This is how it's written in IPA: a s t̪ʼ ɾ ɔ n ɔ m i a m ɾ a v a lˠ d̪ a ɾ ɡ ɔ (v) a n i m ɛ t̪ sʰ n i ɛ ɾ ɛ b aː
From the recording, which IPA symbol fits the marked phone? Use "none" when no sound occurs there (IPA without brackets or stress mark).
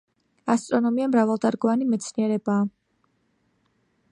v